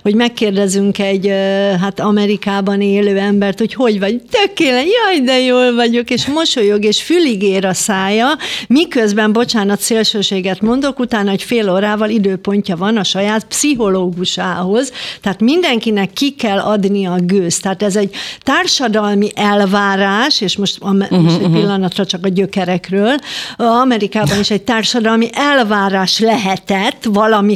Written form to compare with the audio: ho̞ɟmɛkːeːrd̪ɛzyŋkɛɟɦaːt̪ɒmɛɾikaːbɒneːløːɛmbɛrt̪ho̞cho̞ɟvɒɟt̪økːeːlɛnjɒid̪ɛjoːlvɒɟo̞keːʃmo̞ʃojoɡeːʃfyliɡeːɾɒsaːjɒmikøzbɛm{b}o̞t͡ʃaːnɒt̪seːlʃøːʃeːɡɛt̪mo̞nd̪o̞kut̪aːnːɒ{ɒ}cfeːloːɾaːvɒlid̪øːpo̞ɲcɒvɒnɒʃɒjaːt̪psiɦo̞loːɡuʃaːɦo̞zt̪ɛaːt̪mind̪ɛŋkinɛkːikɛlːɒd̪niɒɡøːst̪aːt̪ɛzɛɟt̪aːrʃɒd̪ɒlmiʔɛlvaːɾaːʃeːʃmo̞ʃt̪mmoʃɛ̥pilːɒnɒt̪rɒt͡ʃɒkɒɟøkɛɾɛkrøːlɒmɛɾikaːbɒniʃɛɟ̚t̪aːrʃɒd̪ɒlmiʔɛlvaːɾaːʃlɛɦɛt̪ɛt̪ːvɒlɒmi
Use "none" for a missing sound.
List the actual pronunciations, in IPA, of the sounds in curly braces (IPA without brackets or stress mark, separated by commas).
b, o